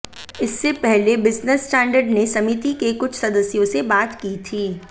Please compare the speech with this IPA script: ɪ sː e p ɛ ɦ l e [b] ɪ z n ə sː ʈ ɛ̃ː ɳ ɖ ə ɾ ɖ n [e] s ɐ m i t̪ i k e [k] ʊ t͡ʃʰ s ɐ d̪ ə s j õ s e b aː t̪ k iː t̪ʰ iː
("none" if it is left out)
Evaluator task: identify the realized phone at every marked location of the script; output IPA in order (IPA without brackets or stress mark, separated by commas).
b, e, k